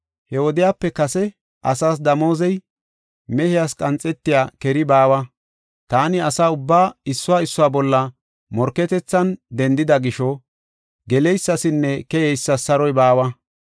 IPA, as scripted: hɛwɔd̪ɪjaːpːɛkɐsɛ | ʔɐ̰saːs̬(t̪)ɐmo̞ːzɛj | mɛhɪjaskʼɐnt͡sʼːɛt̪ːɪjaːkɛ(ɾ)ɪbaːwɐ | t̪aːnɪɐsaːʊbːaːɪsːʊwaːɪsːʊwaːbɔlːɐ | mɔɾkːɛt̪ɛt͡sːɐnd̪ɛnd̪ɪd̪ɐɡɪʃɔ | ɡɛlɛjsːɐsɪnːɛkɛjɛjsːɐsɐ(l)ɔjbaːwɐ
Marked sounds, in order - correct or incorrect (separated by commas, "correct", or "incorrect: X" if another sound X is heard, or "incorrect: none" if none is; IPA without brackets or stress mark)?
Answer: incorrect: d̪, correct, incorrect: ɾ